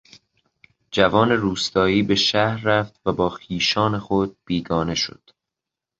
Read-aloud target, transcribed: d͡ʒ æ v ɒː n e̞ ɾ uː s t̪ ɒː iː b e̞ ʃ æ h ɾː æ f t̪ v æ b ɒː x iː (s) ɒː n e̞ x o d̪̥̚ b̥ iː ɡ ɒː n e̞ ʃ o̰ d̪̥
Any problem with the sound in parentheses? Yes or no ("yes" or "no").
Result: yes